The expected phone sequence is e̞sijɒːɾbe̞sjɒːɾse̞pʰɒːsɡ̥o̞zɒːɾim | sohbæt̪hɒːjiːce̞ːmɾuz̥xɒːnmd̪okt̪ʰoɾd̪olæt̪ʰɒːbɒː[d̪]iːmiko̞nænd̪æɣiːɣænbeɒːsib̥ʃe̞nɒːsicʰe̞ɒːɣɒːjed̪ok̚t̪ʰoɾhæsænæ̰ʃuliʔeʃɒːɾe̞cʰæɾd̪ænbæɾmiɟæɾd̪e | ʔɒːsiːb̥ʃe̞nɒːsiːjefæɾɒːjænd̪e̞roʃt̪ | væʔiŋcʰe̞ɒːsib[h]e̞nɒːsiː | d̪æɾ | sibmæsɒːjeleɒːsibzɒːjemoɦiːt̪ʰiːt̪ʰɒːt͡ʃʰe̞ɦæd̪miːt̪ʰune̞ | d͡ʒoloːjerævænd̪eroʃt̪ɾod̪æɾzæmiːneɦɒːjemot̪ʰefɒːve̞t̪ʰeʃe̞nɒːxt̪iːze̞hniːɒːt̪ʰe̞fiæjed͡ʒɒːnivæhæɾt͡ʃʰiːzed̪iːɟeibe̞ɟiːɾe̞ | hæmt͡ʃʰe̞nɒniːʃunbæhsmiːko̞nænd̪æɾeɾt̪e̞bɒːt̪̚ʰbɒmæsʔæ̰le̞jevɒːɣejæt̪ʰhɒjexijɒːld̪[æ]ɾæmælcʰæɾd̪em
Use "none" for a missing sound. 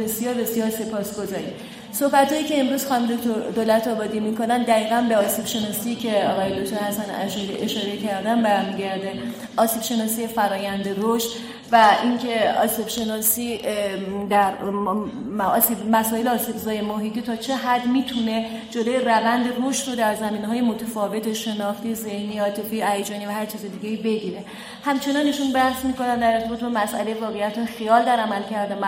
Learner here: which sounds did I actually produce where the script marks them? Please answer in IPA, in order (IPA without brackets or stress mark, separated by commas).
d̪, ʃ, æ